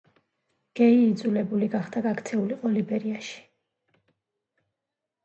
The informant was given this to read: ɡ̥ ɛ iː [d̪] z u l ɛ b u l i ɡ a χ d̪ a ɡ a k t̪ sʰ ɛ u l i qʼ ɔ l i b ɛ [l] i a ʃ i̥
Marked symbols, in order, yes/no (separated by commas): yes, no